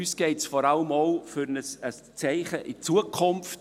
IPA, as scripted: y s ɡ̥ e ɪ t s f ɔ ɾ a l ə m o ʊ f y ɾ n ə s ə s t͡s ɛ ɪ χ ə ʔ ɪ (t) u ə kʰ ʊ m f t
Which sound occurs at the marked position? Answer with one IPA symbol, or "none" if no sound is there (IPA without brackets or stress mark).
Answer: t͡s